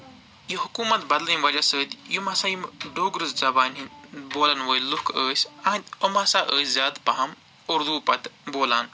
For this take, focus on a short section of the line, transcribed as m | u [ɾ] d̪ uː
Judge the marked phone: correct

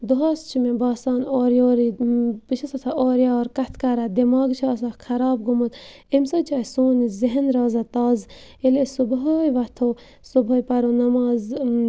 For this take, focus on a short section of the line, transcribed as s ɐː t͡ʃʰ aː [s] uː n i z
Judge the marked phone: correct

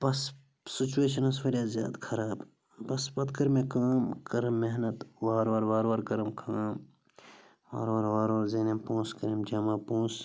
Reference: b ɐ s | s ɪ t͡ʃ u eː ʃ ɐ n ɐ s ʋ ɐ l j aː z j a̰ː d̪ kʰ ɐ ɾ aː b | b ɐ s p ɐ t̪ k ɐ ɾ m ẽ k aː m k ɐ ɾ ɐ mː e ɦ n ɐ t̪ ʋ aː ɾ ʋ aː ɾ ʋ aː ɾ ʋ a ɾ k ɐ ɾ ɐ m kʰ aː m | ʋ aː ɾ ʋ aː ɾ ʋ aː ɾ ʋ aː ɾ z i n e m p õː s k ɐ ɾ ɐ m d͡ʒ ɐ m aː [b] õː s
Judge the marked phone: incorrect: p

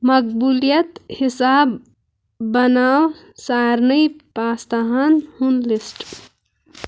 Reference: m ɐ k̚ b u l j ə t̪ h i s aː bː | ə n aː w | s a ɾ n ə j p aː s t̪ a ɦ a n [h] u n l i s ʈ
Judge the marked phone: correct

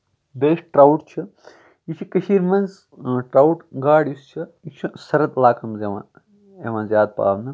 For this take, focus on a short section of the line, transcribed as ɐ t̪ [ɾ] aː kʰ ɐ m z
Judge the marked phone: incorrect: l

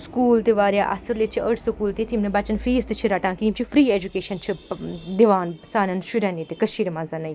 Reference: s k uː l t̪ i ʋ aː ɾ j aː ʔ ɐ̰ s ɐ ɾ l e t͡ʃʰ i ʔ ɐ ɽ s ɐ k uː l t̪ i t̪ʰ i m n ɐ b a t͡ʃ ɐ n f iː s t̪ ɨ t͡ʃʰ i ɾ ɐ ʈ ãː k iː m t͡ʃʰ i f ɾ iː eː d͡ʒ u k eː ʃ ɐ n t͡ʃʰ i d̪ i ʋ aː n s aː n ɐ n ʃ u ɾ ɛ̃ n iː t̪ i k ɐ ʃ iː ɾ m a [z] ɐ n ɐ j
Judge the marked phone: correct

